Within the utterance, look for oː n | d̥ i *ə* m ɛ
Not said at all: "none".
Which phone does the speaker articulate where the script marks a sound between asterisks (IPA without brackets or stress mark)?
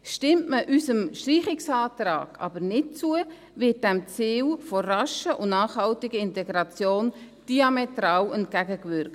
ɑ